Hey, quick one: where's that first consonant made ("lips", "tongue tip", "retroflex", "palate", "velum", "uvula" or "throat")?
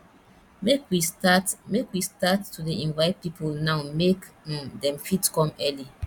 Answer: lips